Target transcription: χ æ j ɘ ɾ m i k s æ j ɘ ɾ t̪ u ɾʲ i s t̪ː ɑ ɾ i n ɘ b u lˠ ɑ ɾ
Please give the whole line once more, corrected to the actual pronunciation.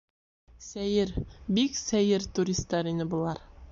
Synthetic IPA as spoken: s æ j ɘ ɾ b i k s æ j ɘ ɾ t̪ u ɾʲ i s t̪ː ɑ ɾ i n ɘ b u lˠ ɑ ɾ